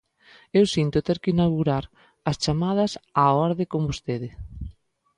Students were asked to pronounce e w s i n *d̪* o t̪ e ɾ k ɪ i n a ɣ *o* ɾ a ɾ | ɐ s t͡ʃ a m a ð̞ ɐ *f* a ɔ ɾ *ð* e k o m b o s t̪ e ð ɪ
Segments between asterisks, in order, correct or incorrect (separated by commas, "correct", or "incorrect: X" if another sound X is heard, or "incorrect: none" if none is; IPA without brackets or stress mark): incorrect: t̪, incorrect: u, incorrect: s, correct